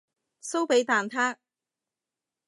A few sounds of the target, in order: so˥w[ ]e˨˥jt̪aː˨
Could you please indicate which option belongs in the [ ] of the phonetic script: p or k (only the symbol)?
p